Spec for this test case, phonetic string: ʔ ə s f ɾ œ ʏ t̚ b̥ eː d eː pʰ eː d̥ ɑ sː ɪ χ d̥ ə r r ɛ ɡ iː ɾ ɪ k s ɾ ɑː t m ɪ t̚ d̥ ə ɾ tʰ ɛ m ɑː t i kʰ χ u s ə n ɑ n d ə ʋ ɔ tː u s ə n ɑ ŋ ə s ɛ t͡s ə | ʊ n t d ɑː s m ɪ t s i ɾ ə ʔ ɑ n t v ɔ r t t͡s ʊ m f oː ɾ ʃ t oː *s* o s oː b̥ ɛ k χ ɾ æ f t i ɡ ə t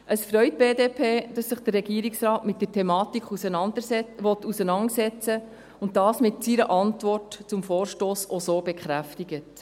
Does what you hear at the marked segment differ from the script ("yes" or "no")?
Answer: no